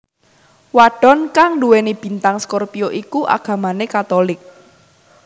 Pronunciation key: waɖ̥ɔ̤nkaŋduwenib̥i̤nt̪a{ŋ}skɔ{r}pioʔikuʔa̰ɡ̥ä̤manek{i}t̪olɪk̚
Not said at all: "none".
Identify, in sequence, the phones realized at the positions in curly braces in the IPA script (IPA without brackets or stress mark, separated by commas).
ŋ, r, a